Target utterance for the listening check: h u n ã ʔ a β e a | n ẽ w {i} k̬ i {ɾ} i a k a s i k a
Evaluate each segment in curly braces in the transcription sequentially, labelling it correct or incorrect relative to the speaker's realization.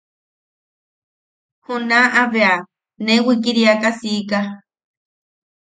correct, correct

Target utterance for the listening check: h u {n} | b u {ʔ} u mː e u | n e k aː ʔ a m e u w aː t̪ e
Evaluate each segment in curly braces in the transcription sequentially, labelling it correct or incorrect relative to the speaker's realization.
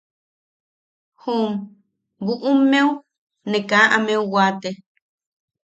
incorrect: m, correct

